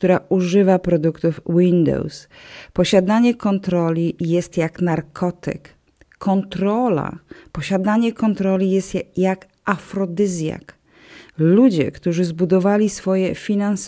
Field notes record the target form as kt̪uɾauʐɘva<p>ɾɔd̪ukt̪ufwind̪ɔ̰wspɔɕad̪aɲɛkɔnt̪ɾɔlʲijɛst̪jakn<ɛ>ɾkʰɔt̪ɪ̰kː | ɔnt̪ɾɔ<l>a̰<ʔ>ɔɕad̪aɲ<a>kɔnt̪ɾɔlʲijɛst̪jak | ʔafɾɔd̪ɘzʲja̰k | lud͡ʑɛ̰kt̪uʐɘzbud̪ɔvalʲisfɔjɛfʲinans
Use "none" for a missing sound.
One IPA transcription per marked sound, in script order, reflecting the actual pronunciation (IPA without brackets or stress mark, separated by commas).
p, a, l, p, ɛ